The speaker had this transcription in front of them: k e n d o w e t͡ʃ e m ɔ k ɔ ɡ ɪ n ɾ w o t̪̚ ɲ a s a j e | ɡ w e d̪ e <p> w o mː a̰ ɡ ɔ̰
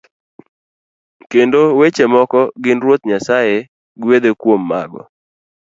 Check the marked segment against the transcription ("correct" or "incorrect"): incorrect